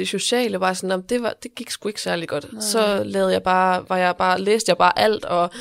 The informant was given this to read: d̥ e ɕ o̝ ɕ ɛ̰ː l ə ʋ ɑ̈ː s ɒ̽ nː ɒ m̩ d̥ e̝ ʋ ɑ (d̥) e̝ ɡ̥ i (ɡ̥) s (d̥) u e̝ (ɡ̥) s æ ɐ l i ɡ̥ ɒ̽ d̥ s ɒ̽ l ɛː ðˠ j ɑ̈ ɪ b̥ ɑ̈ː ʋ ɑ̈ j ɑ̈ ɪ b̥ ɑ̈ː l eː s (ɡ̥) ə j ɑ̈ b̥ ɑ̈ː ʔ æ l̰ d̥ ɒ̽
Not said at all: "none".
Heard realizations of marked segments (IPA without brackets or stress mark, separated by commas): d̥, ɡ̥, ɡ̥, ɡ̥, d̥